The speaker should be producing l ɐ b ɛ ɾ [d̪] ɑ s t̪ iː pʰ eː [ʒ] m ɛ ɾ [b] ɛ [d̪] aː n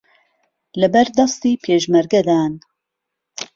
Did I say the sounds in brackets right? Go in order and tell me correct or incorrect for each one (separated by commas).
correct, correct, incorrect, correct